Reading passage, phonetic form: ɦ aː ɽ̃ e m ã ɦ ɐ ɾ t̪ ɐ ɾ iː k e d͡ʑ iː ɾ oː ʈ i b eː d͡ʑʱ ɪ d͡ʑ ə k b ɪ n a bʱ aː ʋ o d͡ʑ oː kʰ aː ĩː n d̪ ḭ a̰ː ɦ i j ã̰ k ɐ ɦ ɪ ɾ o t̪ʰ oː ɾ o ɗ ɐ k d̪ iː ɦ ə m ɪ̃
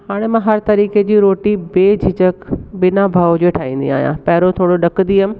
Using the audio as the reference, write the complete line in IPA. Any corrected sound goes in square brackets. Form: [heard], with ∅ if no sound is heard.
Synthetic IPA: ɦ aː ɽ̃ e m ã ɦ ɐ ɾ t̪ ɐ ɾ iː k e d͡ʑ iː ɾ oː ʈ i b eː d͡ʑʱ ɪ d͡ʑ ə k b ɪ n a bʱ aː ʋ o d͡ʑ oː [ʈʰ] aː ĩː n d̪ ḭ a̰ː ɦ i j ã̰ [p] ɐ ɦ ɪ ɾ o t̪ʰ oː [ɽ] o ɗ ɐ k d̪ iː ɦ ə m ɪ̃